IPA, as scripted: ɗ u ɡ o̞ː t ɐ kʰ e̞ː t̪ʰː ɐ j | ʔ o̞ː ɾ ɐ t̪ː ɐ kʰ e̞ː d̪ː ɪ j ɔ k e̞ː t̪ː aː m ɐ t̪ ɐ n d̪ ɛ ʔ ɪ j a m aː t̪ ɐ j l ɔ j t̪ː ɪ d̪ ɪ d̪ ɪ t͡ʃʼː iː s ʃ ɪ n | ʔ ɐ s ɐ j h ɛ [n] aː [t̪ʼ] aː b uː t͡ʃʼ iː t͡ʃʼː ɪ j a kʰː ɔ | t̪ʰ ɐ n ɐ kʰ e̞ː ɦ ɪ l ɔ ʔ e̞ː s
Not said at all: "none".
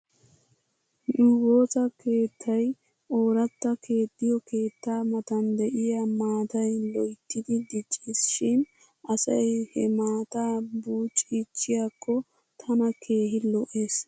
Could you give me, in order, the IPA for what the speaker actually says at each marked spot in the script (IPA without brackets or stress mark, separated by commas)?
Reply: m, t̪